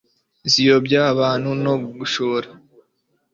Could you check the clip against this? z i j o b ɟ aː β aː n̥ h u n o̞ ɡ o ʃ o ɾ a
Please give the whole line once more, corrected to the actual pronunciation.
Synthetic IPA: z i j o b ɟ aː β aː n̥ h u n o̞ ɡ u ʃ o ɾ a